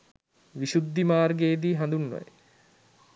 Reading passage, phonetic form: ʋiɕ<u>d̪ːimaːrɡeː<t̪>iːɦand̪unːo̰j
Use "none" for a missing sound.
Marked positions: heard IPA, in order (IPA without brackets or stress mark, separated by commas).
u, d̪